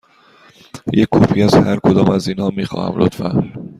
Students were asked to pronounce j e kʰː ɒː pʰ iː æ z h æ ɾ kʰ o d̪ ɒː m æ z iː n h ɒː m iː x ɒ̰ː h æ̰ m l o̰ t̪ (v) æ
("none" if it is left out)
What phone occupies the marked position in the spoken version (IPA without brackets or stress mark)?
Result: f